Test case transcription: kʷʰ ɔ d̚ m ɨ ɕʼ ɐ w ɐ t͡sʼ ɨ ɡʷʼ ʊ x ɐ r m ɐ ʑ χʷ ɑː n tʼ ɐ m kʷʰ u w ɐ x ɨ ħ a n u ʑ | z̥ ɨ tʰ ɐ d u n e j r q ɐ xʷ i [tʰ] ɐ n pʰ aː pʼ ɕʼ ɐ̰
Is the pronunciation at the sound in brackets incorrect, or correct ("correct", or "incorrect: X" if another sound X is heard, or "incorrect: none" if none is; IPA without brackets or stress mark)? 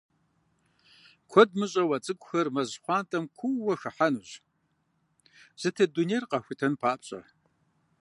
correct